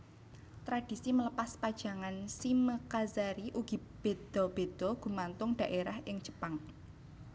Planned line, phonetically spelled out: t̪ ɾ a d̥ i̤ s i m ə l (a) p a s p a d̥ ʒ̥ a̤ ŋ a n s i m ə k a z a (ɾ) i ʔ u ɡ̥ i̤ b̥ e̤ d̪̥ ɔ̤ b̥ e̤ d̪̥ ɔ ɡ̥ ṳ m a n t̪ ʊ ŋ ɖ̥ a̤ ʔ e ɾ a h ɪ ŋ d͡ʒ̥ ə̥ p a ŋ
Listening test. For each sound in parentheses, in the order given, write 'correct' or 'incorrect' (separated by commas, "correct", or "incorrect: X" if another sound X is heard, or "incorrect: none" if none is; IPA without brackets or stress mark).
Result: incorrect: ə, correct